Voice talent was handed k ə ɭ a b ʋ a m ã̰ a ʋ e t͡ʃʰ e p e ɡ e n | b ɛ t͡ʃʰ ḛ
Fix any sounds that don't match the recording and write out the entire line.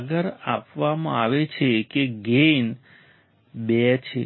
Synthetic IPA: ɡ ə ɾ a p ʋ a m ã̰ a ʋ e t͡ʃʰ e k e ɡ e n | b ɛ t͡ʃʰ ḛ